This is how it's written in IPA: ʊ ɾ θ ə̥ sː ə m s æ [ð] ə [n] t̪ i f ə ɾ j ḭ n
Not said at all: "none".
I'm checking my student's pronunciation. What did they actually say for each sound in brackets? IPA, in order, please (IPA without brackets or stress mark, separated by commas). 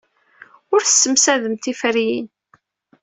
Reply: ð, m